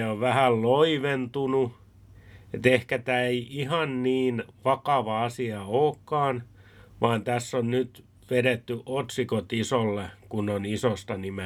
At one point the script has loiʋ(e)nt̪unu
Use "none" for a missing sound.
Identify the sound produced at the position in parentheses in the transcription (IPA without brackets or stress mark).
e